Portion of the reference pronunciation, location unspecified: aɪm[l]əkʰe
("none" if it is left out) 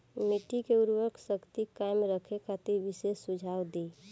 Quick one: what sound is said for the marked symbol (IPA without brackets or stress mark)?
ɾ